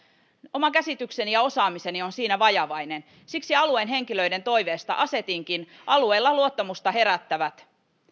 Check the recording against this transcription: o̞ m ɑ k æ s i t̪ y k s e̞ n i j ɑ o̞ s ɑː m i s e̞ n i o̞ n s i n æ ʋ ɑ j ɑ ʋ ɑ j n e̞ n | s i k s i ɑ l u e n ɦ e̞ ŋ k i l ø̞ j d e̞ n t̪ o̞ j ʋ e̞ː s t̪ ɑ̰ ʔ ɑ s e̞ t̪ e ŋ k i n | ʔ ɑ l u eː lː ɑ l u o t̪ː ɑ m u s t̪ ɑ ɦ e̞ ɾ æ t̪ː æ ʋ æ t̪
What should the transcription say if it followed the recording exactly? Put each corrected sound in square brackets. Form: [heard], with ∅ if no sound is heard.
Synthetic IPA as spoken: o̞ m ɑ k æ s i t̪ y k s e̞ n i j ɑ o̞ s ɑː m i s e̞ n i o̞ n s [iː] n æ ʋ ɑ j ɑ ʋ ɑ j n e̞ n | s i k s i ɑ l u e n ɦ e̞ ŋ k i l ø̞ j d e̞ n t̪ o̞ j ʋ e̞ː s t̪ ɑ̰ ʔ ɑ s e̞ t̪ [i] ŋ k i n | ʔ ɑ l u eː lː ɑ l u o t̪ː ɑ m u s t̪ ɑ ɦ e̞ ɾ æ t̪ː æ ʋ æ t̪